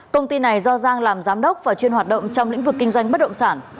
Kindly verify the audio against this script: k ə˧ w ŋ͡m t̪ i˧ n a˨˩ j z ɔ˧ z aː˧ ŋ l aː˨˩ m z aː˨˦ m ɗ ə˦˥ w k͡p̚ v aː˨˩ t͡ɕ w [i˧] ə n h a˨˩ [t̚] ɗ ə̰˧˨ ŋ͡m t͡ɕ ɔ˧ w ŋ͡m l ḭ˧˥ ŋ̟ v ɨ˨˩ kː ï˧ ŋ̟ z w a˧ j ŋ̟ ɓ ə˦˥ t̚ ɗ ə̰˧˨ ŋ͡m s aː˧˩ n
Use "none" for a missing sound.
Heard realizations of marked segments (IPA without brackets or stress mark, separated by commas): i˧, t̚